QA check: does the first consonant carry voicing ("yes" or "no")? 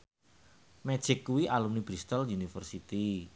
yes